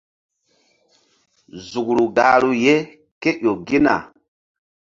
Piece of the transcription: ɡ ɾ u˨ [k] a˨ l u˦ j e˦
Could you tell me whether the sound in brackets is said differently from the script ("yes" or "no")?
yes